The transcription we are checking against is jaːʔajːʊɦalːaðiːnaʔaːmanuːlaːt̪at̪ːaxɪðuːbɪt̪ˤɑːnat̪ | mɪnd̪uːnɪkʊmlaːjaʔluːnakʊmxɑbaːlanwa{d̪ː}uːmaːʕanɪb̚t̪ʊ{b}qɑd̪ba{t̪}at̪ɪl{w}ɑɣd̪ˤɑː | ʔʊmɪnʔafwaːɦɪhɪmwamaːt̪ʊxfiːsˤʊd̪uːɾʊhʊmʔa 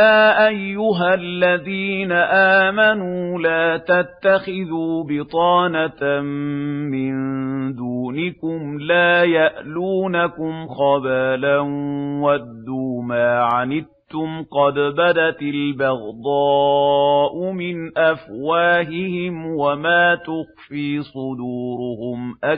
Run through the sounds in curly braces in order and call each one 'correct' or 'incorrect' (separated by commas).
correct, incorrect, incorrect, incorrect